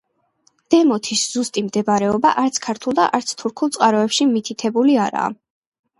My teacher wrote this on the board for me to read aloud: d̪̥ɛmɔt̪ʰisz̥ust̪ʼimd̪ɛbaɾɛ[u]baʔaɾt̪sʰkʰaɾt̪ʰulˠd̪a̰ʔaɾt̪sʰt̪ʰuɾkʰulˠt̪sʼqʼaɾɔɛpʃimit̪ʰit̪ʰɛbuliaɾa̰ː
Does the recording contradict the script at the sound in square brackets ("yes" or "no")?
yes